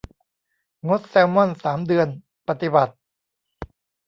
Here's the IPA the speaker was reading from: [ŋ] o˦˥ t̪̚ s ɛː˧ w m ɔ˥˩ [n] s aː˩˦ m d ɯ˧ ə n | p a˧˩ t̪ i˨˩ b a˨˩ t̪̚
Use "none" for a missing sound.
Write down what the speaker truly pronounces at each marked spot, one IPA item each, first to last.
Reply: ŋ, n

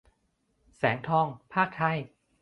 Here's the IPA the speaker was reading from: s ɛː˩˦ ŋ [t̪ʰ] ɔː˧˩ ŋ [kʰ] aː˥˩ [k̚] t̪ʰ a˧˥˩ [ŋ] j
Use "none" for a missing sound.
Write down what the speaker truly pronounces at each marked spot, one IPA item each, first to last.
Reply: t̪ʰ, pʰ, k̚, none

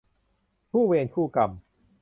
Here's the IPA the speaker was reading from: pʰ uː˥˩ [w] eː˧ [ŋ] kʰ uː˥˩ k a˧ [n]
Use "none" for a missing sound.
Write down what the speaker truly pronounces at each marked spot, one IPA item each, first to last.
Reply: w, n, m

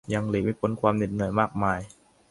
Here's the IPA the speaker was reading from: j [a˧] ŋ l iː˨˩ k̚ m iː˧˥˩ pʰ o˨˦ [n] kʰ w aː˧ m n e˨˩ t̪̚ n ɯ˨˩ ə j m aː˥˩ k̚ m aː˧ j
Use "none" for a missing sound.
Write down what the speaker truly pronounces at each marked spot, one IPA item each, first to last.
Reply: a˧, n

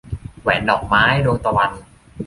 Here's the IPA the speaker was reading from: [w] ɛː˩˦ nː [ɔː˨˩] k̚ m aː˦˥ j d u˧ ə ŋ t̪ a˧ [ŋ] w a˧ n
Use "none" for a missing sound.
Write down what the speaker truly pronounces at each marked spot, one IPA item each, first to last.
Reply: w, ɔː˨˩, none

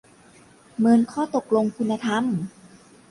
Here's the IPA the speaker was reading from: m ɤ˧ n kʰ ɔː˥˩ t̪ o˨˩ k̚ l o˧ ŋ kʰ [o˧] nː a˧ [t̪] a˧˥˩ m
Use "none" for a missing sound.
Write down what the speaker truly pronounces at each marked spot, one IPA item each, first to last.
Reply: u˧, t̪ʰ

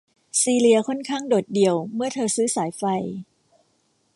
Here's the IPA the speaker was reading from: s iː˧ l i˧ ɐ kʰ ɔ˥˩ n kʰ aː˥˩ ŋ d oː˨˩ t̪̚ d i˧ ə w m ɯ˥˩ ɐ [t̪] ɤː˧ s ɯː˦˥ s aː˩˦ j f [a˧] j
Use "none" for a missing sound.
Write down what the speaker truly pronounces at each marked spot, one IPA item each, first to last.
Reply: t̪ʰ, a˧

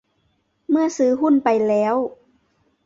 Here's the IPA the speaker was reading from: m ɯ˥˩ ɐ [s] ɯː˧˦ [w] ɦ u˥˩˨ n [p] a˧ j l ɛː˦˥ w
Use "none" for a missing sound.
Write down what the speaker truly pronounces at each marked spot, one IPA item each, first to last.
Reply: s, none, p

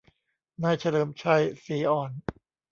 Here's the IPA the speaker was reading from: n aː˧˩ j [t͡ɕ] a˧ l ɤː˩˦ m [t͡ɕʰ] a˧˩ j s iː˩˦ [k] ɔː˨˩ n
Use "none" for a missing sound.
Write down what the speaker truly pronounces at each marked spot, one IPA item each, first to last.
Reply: t͡ɕʰ, t͡ɕʰ, ʔ

